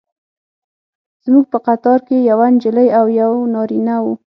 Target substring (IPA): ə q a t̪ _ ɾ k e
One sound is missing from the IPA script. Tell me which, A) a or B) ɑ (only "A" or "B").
B